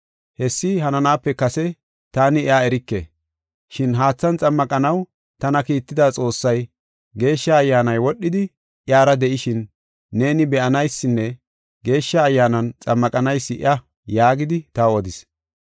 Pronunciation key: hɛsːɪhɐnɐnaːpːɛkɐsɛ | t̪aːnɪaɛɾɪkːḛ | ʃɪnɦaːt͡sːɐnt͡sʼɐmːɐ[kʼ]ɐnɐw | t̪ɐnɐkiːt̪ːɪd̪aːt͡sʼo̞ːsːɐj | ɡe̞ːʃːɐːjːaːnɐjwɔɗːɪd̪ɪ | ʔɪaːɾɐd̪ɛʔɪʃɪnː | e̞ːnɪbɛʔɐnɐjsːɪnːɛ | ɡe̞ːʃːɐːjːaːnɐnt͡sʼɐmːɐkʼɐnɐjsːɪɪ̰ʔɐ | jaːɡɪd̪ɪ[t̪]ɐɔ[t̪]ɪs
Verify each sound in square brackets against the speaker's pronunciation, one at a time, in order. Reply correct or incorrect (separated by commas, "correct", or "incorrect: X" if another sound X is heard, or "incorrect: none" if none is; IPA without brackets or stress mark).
correct, correct, incorrect: d̪